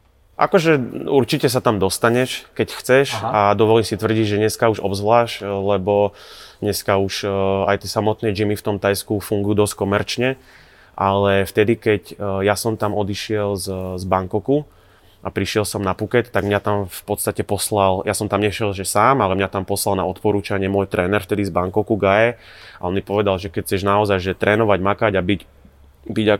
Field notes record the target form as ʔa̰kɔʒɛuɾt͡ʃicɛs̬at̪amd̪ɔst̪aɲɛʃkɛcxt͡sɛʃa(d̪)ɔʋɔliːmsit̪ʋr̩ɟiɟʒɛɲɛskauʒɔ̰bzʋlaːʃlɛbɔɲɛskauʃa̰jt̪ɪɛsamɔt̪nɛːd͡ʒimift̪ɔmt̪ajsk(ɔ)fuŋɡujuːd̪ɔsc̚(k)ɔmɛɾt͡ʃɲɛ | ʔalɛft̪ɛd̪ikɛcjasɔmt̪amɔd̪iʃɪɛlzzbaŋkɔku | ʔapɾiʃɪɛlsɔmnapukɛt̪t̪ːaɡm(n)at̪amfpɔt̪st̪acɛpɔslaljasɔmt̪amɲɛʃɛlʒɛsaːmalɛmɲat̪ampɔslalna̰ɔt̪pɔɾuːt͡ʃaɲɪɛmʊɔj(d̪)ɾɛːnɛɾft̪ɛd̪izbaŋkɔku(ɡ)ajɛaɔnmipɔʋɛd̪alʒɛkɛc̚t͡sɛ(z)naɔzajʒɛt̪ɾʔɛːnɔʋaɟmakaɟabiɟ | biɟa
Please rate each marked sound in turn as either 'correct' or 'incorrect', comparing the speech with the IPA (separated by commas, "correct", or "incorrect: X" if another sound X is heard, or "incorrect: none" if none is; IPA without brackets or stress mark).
correct, incorrect: u, correct, incorrect: ɲ, incorrect: t̪, correct, incorrect: ʒ